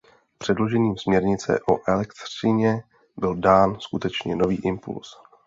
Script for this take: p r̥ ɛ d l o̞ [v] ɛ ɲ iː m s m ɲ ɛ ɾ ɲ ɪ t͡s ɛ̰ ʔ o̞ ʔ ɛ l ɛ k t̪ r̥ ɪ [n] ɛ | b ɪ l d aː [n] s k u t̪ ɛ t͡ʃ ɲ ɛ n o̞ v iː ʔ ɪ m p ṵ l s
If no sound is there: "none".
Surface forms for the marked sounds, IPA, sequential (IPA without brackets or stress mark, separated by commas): ʒ, ɲ, n